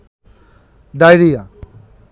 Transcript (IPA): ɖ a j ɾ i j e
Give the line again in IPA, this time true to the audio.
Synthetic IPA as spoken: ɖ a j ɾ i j a